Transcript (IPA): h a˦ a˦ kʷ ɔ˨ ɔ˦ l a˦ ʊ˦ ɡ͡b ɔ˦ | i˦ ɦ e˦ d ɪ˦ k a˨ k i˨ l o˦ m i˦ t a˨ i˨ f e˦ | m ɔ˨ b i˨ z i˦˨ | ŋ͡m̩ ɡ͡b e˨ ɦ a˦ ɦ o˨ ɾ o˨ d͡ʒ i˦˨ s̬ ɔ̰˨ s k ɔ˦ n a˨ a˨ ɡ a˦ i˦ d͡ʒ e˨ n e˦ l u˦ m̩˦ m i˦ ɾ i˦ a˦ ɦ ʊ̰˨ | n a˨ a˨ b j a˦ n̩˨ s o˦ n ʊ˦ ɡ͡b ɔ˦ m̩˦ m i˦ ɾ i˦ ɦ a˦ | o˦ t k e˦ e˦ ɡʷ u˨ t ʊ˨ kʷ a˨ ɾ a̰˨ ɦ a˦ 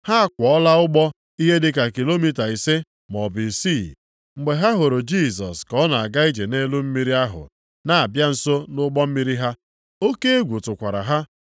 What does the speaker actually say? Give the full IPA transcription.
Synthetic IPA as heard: h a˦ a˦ kʷ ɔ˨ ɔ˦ l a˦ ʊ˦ ɡ͡b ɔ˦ | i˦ ɦ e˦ d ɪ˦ k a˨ k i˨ l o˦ m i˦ t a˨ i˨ s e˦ | m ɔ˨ b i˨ s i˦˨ | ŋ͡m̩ ɡ͡b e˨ ɦ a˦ ɦ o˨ ɾ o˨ d͡ʒ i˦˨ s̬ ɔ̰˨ s k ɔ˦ n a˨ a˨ ɡ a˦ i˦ d͡ʒ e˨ n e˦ l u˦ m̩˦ m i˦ ɾ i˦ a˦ ɦ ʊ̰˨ | n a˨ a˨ b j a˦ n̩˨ s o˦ n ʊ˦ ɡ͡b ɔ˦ m̩˦ m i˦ ɾ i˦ ɦ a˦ | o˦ k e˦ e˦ ɡʷ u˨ t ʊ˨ kʷ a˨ ɾ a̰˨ ɦ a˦

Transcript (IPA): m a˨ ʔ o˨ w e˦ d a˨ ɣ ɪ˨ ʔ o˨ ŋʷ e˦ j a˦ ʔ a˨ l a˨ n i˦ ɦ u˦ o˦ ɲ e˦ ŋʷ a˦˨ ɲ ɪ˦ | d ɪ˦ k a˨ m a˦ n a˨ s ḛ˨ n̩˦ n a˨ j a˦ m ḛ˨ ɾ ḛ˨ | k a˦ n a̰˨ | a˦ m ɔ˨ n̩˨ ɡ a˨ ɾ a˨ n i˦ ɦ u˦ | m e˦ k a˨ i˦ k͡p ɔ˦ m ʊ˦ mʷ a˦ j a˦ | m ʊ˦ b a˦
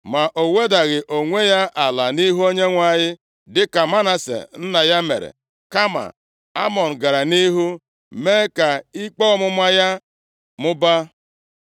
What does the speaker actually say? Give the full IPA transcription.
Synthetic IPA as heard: m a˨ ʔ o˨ w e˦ d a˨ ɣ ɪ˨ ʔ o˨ ŋʷ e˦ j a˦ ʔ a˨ l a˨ n i˦ ɦ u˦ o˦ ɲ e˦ ŋʷ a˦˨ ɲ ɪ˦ | d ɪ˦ k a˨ m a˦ n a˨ s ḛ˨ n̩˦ n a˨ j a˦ m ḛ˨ ɾ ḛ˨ | k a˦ m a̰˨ | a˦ m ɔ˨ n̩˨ ɡ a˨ ɾ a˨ n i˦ ɦ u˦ | m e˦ k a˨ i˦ k͡p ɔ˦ m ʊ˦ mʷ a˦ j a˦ | m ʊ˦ b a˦

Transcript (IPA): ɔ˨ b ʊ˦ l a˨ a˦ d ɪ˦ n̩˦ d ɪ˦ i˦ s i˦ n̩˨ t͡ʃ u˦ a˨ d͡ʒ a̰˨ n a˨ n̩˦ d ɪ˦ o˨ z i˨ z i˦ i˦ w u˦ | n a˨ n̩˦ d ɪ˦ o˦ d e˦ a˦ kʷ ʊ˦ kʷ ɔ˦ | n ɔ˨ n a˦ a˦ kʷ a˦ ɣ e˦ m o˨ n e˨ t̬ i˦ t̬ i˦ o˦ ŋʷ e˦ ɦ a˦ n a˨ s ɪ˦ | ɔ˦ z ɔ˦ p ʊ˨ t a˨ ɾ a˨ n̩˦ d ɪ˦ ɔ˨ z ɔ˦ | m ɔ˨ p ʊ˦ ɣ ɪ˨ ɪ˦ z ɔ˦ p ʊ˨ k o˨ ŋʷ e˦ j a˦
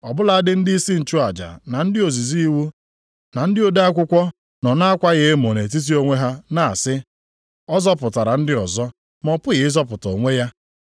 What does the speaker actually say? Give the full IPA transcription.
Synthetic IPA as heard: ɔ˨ b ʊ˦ l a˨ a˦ d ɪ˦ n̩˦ d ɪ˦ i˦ s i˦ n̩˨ t͡ʃ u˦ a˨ d͡ʒ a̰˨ n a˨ n̩˦ d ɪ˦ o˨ z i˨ z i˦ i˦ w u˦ | n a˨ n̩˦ d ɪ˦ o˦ d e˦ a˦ kʷ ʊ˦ kʷ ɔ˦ | n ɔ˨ n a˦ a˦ kʷ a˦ ɣ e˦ m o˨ n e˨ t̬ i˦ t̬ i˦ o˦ ŋʷ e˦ ɦ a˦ n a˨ s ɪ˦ | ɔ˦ z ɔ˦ p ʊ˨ t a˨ ɾ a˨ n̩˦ d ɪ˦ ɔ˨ z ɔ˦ | m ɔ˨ p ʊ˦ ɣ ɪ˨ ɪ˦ z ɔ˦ p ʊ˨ t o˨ ŋʷ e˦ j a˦

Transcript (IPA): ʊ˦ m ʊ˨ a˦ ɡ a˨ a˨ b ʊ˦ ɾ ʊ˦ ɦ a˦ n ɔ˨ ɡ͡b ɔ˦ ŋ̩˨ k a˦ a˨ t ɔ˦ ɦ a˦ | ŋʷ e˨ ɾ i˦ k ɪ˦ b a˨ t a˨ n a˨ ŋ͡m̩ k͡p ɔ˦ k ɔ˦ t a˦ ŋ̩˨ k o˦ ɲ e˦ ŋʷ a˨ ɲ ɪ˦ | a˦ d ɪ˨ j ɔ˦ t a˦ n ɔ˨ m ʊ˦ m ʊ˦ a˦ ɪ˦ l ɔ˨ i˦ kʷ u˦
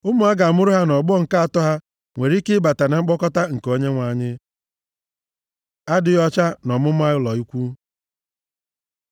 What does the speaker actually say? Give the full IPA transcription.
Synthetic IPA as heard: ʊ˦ m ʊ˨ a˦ ɡ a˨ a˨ m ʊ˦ ɾ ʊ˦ ɦ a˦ n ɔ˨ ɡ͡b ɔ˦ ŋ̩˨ k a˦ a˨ t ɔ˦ ɦ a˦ | ŋʷ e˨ ɾ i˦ k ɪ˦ b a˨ t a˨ n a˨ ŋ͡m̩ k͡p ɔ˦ k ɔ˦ t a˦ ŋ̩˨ k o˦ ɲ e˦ ŋʷ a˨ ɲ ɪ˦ | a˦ d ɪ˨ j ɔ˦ t͡ʃ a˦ n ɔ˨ m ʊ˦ m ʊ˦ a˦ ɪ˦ l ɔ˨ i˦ kʷ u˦

